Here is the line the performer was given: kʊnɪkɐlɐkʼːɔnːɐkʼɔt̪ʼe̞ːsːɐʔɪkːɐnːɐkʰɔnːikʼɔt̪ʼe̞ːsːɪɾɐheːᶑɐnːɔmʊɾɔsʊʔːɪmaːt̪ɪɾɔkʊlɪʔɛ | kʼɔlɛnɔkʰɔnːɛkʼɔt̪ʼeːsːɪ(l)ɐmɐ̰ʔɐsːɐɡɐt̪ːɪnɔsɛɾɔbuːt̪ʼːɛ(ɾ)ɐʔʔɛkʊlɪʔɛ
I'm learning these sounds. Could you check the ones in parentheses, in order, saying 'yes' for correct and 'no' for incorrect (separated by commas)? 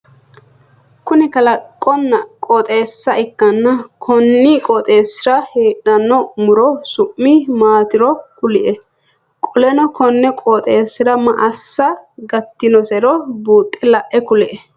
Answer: no, no